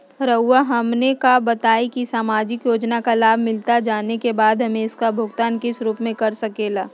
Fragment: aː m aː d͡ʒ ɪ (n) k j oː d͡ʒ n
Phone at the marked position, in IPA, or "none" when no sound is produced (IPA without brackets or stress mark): none